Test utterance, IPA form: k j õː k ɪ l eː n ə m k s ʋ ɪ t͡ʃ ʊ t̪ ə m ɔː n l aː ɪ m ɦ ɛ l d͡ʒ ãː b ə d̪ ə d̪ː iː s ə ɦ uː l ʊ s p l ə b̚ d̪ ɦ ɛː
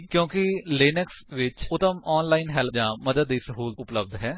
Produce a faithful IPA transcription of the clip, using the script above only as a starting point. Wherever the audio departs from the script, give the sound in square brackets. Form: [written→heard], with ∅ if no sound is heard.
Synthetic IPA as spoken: k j õː k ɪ l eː n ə [m→∅] k s ʋ ɪ t͡ʃ ʊ t̪ ə m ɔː n l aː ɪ [m→n] ɦ ɛ l d͡ʒ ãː [b→m] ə d̪ ə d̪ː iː s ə ɦ uː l ʊ [s→∅] p l ə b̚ d̪ ɦ ɛː